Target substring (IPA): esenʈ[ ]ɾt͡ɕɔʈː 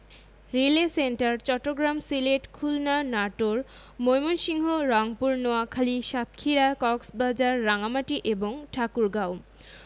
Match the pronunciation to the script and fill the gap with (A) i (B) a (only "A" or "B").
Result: B